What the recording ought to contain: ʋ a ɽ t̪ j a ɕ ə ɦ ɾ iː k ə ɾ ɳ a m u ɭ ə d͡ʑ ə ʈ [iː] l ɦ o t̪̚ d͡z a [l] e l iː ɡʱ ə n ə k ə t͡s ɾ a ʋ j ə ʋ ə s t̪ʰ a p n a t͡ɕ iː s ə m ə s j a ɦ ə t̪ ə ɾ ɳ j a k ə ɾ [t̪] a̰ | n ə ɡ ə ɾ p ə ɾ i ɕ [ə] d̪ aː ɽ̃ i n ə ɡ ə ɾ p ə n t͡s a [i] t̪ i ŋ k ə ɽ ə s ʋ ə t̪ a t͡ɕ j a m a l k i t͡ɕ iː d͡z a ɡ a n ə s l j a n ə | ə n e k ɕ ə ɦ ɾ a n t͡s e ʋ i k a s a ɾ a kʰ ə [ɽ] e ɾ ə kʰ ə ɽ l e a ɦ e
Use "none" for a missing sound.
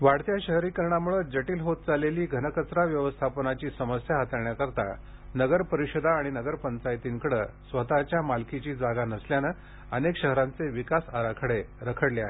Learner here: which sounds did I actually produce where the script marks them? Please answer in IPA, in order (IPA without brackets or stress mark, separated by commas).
iː, l, t̪, ə, j, ɽ